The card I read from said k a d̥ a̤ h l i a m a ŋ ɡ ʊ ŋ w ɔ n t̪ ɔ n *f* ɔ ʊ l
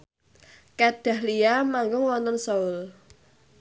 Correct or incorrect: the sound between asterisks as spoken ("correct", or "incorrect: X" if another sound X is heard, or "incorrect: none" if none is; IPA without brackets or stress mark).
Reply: incorrect: s